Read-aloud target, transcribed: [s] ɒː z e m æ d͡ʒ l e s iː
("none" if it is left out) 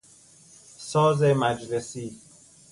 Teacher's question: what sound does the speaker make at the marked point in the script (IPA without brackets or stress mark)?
s